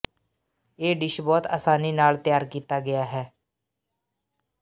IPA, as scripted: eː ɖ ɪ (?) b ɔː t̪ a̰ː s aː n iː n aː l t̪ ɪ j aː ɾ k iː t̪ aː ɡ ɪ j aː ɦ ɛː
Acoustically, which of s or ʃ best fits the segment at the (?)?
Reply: ʃ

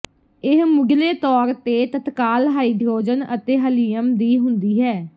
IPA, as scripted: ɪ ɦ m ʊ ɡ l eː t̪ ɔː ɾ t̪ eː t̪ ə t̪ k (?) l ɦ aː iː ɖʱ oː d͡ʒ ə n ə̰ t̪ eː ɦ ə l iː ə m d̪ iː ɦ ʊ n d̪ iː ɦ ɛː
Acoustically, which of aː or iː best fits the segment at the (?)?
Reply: aː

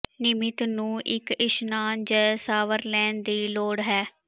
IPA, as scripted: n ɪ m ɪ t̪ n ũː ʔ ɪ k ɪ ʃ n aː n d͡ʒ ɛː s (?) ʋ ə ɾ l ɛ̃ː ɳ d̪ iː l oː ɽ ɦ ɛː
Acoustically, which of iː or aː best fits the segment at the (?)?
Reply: aː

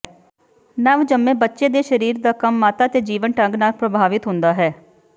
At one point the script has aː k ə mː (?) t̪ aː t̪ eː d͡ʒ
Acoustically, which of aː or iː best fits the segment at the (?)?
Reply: aː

